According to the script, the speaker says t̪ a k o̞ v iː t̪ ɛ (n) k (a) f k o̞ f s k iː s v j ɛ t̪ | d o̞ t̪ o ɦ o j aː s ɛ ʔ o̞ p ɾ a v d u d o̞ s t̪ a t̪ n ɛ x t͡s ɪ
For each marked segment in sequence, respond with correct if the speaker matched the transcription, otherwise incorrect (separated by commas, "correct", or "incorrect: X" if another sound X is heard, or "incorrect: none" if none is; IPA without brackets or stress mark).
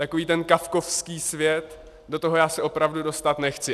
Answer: correct, correct